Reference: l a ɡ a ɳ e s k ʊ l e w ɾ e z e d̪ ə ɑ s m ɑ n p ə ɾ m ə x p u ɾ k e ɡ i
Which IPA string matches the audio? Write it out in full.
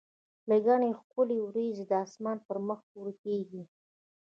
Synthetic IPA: l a ɡ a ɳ e x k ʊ l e w ɾ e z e d̪ ə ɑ s m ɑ n p ə ɾ m ə x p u ɾ k e ɡ i